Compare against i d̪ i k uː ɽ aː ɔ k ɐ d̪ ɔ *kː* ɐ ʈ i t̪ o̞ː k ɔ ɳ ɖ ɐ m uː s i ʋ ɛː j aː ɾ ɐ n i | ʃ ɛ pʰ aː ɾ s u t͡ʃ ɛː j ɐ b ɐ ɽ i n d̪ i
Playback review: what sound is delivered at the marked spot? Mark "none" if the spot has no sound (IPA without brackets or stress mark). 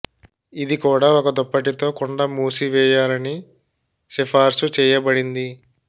pː